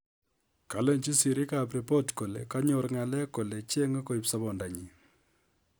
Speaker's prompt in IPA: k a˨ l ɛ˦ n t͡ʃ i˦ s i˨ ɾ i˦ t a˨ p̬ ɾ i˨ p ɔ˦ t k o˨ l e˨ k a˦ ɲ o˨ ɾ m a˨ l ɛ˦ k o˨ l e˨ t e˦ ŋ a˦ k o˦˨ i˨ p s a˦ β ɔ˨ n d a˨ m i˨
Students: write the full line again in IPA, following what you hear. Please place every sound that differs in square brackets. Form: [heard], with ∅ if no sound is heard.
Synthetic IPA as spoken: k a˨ l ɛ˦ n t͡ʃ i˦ s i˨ ɾ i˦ [k] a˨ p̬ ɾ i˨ p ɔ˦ t k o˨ l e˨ k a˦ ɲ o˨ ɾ [ŋ] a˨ l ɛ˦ k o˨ l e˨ [t͡ʃ] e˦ ŋ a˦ k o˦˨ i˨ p s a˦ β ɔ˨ n d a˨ [ɲ] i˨

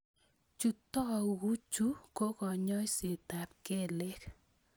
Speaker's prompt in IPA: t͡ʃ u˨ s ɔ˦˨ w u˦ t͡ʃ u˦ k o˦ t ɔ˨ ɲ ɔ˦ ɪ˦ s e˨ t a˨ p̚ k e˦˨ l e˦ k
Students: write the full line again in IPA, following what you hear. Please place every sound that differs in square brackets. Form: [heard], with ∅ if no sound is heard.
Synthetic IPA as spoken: t͡ʃ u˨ [t] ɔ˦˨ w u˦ t͡ʃ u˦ k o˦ [k] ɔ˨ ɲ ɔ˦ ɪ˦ s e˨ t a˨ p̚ k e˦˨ l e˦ k

